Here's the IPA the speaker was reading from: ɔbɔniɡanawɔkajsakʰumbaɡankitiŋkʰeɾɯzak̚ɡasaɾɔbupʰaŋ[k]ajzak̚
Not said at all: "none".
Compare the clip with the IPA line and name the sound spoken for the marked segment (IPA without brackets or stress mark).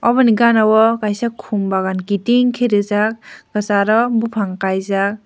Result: k